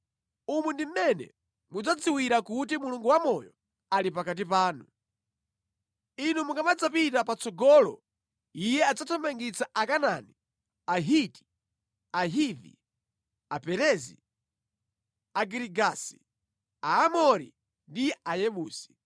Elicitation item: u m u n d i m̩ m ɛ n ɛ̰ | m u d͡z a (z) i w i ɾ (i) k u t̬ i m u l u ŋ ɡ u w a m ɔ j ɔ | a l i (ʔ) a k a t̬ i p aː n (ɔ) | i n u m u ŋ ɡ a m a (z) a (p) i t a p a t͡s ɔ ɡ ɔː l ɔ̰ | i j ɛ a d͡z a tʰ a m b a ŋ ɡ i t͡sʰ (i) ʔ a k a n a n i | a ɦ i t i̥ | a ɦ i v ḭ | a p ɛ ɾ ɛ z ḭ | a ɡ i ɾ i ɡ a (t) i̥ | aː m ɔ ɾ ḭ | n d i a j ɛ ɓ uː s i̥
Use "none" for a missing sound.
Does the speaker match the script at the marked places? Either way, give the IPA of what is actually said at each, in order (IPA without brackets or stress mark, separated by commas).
d͡z, a, p, u, d͡z, p, a, s